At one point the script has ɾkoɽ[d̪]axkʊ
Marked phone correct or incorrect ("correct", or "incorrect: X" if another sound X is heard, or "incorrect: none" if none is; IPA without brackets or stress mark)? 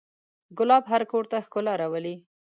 incorrect: t̪